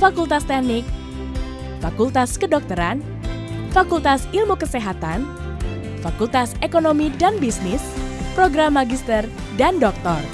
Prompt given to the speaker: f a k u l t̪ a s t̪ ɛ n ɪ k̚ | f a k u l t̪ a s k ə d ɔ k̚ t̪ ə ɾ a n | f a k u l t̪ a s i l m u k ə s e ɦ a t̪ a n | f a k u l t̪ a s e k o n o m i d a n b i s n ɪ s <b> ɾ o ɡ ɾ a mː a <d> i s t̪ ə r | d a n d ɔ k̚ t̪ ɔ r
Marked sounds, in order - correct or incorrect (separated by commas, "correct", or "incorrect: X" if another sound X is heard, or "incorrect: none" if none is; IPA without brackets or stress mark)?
incorrect: p, incorrect: ɡ